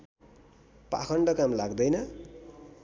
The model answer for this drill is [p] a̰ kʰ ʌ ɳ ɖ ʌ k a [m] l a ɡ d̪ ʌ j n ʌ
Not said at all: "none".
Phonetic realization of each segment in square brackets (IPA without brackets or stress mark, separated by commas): p, m